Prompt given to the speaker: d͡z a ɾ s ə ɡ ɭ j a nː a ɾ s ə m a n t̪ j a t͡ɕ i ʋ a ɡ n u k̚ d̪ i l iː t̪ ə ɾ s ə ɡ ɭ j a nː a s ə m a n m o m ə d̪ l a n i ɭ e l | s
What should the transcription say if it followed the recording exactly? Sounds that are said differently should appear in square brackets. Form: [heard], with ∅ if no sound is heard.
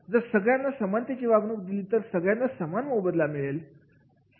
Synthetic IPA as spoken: d͡z [ə] ɾ s ə ɡ ɭ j a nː a [∅] s ə m a n t̪ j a t͡ɕ i ʋ a ɡ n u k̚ d̪ i l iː t̪ ə ɾ s ə ɡ ɭ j a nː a s ə m a n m o [b] ə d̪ l a [m] i ɭ e l | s